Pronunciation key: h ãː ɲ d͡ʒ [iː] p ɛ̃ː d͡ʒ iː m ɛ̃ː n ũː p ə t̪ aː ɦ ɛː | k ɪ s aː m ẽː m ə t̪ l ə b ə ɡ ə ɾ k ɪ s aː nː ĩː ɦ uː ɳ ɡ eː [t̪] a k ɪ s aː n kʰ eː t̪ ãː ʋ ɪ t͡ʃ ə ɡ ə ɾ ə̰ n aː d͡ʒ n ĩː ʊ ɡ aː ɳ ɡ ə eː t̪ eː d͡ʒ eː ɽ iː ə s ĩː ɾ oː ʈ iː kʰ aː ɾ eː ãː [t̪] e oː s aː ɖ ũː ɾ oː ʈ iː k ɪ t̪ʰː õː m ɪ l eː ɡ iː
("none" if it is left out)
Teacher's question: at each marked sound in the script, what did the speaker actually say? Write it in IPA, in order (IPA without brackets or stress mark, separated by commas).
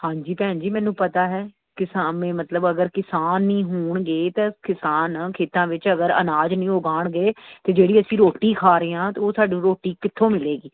iː, t̪, t̪